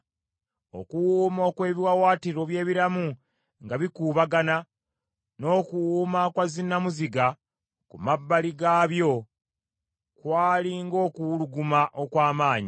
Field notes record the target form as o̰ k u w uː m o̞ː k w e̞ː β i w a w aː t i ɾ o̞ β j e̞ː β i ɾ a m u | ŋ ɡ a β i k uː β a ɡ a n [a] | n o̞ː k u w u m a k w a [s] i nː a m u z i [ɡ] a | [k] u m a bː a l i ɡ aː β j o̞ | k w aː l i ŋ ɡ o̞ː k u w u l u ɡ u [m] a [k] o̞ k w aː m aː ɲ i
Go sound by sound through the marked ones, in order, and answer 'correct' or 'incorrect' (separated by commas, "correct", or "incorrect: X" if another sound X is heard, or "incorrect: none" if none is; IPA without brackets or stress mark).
correct, incorrect: z, correct, correct, correct, incorrect: ʔ